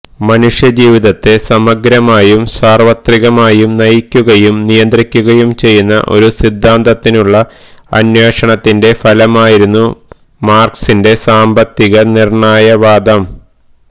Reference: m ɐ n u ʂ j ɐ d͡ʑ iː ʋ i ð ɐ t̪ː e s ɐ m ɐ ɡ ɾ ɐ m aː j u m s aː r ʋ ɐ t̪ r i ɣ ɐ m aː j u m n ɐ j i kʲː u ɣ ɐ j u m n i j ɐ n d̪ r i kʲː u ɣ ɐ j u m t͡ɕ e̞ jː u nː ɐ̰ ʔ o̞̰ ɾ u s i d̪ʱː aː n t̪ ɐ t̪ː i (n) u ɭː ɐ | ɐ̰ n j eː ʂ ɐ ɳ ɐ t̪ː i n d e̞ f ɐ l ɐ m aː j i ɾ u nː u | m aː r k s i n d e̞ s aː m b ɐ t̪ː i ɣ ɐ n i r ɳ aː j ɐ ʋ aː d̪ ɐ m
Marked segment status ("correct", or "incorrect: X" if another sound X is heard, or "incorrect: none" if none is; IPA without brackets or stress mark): correct